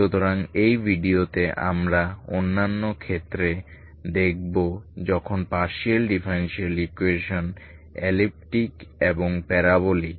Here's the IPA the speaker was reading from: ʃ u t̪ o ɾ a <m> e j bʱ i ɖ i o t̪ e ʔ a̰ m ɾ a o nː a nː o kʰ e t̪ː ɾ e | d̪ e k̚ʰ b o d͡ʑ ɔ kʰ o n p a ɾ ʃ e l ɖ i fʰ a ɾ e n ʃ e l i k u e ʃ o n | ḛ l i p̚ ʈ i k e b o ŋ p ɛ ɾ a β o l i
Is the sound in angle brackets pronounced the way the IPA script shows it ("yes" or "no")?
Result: no